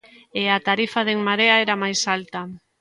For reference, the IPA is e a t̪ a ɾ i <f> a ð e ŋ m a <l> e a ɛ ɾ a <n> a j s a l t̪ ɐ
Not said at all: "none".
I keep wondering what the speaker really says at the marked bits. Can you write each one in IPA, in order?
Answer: f, ɾ, m

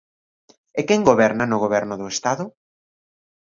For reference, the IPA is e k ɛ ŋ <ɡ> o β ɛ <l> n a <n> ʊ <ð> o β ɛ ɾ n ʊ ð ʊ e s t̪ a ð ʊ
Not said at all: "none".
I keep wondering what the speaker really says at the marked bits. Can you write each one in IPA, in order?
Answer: ɡ, ɾ, n, ɣ

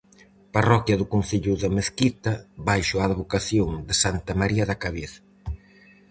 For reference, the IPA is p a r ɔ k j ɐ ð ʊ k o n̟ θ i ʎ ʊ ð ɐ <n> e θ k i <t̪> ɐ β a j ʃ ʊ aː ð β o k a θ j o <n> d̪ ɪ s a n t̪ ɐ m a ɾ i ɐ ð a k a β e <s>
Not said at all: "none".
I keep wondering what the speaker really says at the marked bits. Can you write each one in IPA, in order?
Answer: m, t̪, ŋ, θ

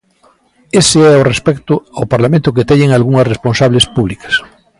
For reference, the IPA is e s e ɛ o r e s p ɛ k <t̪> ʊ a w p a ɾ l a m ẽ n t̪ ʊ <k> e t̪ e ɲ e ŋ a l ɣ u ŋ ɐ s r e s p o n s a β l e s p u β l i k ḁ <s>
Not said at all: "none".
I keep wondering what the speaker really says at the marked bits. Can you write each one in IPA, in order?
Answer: t̪, k, s

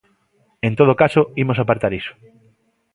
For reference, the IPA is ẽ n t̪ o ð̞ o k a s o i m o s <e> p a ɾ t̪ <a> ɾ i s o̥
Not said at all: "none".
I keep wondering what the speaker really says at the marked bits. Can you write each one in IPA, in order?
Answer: a, a

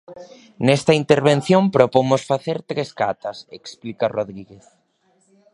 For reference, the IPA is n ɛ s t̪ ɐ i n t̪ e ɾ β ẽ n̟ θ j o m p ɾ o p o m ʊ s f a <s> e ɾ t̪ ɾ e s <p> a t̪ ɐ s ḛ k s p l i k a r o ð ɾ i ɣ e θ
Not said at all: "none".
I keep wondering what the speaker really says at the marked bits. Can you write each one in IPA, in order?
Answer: θ, k

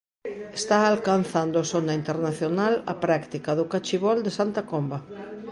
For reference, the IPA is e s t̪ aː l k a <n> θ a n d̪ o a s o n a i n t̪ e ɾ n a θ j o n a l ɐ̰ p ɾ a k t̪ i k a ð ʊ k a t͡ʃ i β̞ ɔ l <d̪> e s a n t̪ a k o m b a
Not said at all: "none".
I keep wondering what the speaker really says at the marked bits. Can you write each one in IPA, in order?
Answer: n, d̪

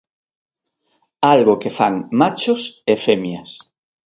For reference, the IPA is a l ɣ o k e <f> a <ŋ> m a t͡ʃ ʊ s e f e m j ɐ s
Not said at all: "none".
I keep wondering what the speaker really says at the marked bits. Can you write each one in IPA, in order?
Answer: f, ŋ

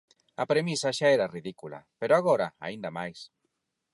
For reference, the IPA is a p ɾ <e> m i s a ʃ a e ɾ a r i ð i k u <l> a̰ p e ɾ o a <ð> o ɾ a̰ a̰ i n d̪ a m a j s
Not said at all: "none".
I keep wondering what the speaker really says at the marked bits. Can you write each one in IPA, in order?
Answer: e, l, ɣ

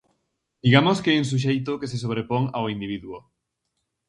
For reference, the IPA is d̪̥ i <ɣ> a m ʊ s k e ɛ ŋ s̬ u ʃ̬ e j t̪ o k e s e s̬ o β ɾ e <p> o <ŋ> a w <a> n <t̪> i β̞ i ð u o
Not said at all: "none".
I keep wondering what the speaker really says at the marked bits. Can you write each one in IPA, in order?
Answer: ɣ, p, ŋ, i, d̪

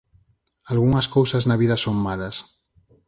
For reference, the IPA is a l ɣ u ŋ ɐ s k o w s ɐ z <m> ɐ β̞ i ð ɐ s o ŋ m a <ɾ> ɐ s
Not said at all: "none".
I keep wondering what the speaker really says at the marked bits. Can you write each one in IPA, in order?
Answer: n, l

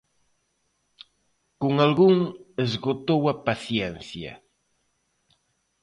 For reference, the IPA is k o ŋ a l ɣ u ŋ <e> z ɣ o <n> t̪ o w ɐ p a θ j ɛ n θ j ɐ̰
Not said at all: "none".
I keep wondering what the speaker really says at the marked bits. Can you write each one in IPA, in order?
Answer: e, none

